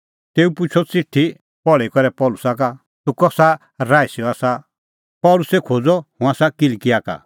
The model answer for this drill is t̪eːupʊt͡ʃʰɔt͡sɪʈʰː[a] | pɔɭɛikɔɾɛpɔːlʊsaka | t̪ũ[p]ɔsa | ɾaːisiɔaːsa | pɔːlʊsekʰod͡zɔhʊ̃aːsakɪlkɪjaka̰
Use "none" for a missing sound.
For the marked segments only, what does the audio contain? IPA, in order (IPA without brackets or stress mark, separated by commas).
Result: i, k